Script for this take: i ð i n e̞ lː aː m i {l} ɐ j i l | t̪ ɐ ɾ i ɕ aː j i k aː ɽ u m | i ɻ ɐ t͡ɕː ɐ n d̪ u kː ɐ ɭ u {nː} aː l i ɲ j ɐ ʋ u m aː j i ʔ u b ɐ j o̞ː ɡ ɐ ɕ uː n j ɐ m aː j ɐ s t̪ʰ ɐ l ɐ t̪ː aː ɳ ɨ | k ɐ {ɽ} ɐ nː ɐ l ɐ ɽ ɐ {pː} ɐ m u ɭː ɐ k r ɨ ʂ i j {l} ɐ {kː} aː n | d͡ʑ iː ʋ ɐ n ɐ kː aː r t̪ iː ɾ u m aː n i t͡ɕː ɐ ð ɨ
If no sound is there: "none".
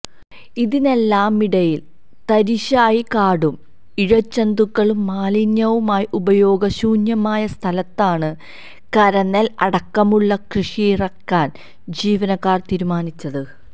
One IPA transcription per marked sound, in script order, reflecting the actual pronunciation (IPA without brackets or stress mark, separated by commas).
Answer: ɽ, mː, ɾ, kː, r, kː